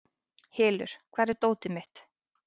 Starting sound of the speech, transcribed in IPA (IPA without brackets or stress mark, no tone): h